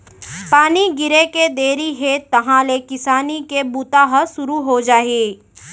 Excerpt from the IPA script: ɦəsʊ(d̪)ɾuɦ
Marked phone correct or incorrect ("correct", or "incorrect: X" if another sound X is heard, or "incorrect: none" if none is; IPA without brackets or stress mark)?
incorrect: none